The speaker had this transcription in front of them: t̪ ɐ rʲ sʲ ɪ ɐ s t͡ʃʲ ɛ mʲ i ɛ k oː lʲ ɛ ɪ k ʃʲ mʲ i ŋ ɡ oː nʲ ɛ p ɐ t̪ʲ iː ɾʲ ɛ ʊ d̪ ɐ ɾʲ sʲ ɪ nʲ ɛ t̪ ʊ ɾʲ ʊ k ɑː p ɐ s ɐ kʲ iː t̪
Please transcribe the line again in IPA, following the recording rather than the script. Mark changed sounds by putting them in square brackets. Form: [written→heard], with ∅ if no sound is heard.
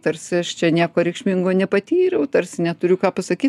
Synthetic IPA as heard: t̪ ɐ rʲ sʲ ɪ ɐ [s→ʃ] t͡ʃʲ ɛ [mʲ→nʲ] i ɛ k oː [lʲ→ɾʲ] ɛ ɪ k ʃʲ mʲ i ŋ ɡ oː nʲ ɛ p ɐ t̪ʲ iː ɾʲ ɛ ʊ [d̪→t̪] ɐ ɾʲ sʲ ɪ nʲ ɛ t̪ ʊ ɾʲ ʊ k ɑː p ɐ s ɐ kʲ iː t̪

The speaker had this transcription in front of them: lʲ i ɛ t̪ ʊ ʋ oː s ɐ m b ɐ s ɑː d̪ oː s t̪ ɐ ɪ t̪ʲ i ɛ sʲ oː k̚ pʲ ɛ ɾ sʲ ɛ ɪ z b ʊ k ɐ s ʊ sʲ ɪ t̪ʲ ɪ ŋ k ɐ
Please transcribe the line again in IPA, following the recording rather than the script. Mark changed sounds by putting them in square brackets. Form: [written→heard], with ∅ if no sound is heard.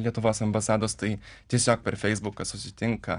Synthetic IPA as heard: lʲ i ɛ t̪ ʊ ʋ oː s ɐ m b ɐ s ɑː d̪ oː s t̪ ɐ ɪ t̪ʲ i ɛ sʲ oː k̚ pʲ ɛ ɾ [sʲ→fʲ] ɛ ɪ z b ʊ k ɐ s ʊ sʲ ɪ t̪ʲ ɪ ŋ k ɐ

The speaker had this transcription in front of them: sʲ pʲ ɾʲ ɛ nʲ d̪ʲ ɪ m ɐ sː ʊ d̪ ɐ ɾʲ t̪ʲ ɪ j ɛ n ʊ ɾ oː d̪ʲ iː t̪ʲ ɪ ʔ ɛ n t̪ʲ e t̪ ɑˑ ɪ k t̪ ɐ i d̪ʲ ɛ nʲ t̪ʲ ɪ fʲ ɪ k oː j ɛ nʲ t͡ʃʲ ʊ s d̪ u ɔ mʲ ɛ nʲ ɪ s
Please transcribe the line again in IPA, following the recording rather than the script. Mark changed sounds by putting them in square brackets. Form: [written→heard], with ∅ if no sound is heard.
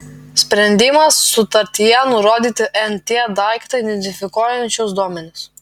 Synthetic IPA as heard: sʲ pʲ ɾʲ ɛ nʲ d̪ʲ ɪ m ɐ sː ʊ [d̪→t̪] ɐ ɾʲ t̪ʲ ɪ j ɛ n ʊ ɾ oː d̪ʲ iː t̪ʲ ɪ ʔ ɛ n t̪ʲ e [t̪→d̪] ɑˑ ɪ k t̪ ɐ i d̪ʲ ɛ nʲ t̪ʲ ɪ fʲ ɪ k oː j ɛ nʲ t͡ʃʲ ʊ s d̪ u ɔ mʲ ɛ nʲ ɪ s

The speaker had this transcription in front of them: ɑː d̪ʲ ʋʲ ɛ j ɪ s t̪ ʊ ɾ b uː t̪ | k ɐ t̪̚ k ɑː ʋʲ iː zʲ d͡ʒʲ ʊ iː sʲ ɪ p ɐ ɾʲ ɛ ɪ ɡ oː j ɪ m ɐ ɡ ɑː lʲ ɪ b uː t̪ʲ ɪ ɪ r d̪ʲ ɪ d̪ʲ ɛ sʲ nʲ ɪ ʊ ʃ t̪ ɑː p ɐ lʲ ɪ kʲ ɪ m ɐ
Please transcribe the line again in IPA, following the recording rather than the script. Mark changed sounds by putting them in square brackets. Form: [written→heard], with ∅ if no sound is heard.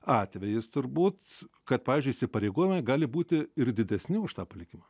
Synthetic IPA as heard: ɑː [d̪ʲ→t̪ʲ] ʋʲ ɛ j ɪ s t̪ ʊ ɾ b uː t̪ | k ɐ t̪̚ [k→p] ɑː ʋʲ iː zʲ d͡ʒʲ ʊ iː sʲ ɪ p ɐ ɾʲ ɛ ɪ ɡ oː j ɪ m ɐ ɡ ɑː lʲ ɪ b uː t̪ʲ ɪ ɪ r d̪ʲ ɪ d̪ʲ ɛ sʲ nʲ ɪ ʊ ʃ t̪ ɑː p ɐ lʲ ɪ kʲ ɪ m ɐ

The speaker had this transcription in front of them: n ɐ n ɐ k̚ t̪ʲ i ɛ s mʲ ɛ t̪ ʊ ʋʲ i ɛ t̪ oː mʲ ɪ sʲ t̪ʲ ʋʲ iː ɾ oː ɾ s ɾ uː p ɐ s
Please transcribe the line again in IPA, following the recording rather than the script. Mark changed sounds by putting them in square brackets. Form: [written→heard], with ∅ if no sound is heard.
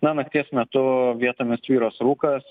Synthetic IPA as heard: n ɐ n ɐ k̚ t̪ʲ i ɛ s mʲ ɛ t̪ ʊ ʋʲ i ɛ t̪ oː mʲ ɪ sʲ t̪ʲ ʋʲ iː ɾ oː [ɾ→∅] s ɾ uː [p→k] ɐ s

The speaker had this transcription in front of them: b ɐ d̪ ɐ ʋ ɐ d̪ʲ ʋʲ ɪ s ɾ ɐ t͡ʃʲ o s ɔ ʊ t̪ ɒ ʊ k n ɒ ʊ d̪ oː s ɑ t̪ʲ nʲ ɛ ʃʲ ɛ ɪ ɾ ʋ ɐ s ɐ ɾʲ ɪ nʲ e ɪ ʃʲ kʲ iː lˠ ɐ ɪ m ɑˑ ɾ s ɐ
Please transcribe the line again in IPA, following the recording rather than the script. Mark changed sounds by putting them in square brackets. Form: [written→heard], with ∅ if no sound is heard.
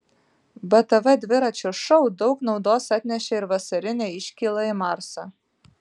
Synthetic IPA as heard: b ɐ [d̪→t̪] ɐ ʋ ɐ d̪ʲ ʋʲ ɪ [s→∅] ɾ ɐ t͡ʃʲ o [s→ʃ] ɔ ʊ [t̪→d̪] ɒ ʊ k n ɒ ʊ d̪ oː s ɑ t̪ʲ nʲ ɛ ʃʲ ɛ ɪ ɾ ʋ ɐ s ɐ ɾʲ ɪ nʲ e ɪ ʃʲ kʲ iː lˠ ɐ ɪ m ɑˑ ɾ s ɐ

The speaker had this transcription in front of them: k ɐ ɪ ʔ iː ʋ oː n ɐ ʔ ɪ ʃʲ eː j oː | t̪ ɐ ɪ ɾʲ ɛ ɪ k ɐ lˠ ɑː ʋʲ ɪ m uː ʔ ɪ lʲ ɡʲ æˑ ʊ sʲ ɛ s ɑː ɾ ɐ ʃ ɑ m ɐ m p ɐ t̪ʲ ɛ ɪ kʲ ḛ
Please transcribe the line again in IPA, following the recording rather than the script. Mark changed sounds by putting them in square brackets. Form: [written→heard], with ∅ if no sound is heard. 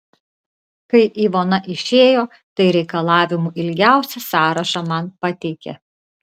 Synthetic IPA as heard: k ɐ ɪ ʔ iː ʋ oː n ɐ ʔ ɪ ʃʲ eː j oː | t̪ ɐ ɪ ɾʲ ɛ ɪ k ɐ lˠ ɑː ʋʲ ɪ m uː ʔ ɪ lʲ ɡʲ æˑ ʊ sʲ ɛ s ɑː ɾ ɐ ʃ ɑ m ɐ [m→n] p ɐ t̪ʲ ɛ ɪ kʲ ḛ

